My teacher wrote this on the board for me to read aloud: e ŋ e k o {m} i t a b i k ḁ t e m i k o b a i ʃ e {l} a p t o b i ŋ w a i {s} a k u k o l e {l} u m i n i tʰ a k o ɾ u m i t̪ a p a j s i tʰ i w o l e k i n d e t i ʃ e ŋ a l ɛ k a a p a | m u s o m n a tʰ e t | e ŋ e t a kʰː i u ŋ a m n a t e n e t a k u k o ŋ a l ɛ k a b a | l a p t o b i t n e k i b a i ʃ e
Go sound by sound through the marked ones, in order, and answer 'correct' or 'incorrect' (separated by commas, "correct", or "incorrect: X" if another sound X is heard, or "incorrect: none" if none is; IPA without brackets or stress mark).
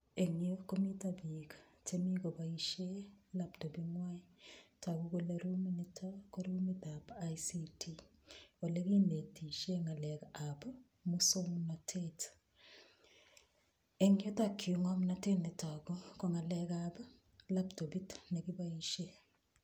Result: correct, correct, incorrect: t, incorrect: ɾ